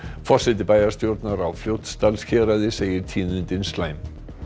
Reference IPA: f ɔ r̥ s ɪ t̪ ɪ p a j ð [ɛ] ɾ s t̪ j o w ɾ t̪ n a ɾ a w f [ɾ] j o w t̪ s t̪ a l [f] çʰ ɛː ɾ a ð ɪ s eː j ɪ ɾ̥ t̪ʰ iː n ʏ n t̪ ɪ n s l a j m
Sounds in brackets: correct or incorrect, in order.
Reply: incorrect, incorrect, incorrect

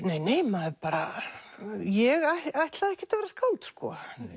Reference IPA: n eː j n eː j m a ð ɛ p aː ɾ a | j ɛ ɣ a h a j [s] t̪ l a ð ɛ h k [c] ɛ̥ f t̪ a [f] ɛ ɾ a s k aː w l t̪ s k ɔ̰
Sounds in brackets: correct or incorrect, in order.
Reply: incorrect, correct, incorrect

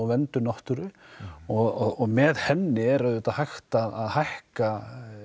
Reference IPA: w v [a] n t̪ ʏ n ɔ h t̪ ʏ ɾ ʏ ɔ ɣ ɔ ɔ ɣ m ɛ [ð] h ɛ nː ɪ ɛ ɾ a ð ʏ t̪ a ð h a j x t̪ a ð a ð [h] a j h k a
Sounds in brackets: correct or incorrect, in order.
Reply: incorrect, correct, correct

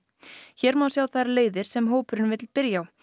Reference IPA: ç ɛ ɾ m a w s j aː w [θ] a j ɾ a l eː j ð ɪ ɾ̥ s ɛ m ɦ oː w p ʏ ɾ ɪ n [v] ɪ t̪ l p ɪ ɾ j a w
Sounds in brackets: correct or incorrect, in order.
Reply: correct, correct

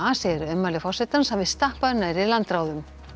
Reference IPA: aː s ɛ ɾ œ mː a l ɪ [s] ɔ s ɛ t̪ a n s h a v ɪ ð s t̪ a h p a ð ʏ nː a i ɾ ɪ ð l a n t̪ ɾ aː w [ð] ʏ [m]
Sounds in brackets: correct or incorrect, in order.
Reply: incorrect, correct, correct

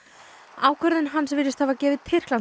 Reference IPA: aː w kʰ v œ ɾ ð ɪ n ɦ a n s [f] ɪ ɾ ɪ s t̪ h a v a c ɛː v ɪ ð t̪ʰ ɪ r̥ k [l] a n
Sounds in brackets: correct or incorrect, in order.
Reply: incorrect, correct

